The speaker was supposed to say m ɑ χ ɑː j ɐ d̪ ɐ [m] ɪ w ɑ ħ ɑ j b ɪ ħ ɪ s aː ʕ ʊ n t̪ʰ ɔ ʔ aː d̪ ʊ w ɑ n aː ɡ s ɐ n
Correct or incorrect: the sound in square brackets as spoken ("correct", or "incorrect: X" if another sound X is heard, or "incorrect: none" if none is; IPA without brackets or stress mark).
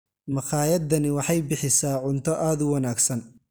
incorrect: n